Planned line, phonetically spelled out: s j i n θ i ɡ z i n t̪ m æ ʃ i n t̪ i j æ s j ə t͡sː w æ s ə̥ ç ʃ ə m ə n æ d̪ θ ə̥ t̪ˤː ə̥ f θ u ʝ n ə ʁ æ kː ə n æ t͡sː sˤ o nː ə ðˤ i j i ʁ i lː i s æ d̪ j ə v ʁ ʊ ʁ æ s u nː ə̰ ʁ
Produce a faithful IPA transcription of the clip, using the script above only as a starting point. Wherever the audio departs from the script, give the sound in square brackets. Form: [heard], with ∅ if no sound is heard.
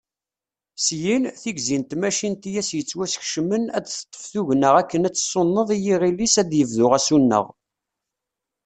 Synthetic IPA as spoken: s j i n θ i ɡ z i n t̪ m æ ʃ i n t̪ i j æ s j ə t͡sː w æ s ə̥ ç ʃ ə m ə n æ d̪ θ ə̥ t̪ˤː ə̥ f θ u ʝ n ə ʁ æ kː ə n æ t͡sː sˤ o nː ə ðˤ i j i ʁ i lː i s æ d̪ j ə v [ð] ʊ ʁ æ s u nː ə̰ ʁ

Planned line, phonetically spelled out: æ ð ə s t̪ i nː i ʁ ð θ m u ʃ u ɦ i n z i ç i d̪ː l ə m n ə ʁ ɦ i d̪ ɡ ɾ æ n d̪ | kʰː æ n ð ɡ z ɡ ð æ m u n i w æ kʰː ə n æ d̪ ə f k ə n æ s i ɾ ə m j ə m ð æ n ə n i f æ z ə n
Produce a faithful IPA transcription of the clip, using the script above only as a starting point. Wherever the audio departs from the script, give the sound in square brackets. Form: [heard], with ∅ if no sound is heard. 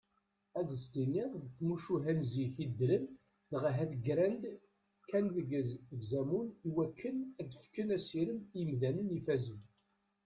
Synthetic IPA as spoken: æ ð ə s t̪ i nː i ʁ ð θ m u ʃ u ɦ [æ] n z i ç i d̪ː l ə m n ə ʁ ɦ [æ] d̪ ɡ ɾ æ n d̪ | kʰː æ n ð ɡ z ɡ [z] æ m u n i w æ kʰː ə n æ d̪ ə f k ə n æ s i ɾ ə m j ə m ð æ n ə n i f æ z ə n

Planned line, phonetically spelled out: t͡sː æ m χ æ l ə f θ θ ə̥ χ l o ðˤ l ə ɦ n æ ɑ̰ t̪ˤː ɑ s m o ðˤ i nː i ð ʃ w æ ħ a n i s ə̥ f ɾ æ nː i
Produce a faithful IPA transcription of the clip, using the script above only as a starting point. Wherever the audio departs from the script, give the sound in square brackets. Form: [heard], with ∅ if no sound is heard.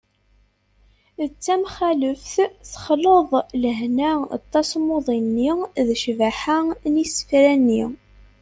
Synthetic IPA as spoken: t͡sː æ m χ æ l ə f θ θ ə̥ χ l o ðˤ l ə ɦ n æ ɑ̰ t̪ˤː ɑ s m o ðˤ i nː i ð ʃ [v] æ ħ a n i s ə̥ f ɾ æ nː i

